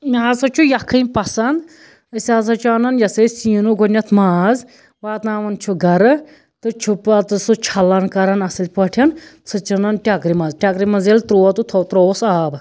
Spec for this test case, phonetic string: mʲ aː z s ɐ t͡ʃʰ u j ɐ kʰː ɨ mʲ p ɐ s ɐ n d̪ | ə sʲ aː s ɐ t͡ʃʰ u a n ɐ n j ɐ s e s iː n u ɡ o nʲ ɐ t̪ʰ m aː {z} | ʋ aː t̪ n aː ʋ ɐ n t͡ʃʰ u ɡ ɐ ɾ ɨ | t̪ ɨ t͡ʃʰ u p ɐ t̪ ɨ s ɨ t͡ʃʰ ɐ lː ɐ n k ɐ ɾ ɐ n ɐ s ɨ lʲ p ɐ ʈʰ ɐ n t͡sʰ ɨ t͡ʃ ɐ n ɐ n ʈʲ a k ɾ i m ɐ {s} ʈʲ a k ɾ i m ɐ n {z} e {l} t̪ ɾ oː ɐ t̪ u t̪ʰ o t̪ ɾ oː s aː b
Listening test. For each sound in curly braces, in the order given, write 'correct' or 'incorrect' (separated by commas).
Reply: correct, incorrect, correct, correct